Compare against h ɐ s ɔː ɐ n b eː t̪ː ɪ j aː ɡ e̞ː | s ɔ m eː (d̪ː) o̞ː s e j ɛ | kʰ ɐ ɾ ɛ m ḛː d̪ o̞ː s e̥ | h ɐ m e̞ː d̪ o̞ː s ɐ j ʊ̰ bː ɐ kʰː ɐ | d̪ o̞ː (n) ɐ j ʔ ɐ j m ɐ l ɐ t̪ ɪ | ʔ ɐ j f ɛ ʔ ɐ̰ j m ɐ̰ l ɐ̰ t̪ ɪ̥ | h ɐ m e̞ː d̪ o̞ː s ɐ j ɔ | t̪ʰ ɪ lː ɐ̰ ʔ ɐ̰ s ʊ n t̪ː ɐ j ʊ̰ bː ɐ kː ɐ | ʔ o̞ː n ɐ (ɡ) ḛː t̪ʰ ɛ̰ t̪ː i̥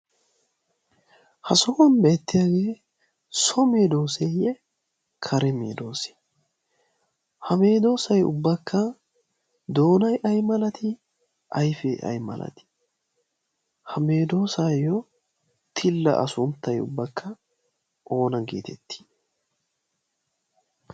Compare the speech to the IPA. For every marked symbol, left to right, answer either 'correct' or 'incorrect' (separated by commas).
incorrect, correct, correct